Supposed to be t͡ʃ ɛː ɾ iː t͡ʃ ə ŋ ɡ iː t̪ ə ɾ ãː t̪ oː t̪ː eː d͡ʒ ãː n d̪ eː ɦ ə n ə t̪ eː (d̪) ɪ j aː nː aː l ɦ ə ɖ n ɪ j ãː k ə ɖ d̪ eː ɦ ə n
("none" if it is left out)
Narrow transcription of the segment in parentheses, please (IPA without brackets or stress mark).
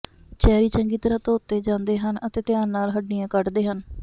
t̪